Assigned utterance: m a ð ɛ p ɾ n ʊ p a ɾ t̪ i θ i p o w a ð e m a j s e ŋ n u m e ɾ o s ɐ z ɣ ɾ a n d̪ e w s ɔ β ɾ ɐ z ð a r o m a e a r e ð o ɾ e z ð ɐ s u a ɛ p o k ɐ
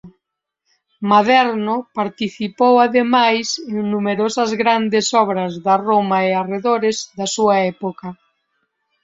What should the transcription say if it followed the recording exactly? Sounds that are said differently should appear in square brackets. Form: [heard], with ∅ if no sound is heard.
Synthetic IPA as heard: m a ð ɛ [∅] ɾ n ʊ p a ɾ t̪ i θ i p o w a ð e m a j s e ŋ n u m e ɾ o s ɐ z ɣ ɾ a n d̪ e [∅] s ɔ β ɾ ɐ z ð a r o m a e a r e ð o ɾ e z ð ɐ s u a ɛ p o k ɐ